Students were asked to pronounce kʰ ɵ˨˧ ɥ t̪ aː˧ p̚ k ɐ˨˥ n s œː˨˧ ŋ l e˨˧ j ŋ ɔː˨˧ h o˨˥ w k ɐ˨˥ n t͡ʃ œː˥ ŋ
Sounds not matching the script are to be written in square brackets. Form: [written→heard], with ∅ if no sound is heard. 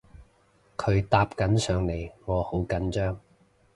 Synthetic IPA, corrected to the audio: kʰ ɵ˨˧ ɥ t̪ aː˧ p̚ k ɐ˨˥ n s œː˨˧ ŋ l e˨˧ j ŋ ɔː˨˧ h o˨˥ w k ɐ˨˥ n t͡ʃ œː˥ ŋ